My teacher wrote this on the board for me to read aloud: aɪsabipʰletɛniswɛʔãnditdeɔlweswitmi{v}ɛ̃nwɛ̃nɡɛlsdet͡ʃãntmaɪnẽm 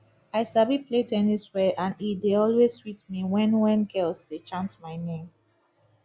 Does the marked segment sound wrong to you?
yes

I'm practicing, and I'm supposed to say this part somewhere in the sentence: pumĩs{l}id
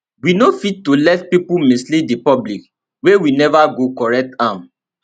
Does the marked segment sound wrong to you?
no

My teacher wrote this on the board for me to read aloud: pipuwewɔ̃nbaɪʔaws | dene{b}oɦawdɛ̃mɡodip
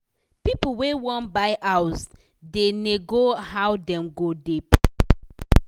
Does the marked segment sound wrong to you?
yes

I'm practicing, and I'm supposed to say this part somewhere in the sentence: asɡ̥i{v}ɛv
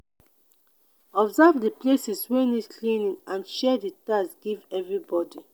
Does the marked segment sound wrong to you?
no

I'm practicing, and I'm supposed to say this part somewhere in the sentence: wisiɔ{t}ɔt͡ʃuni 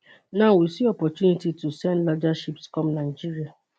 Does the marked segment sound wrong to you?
yes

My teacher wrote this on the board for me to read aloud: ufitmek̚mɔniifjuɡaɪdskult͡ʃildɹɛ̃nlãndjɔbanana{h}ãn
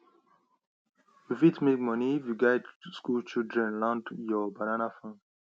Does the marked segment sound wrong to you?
yes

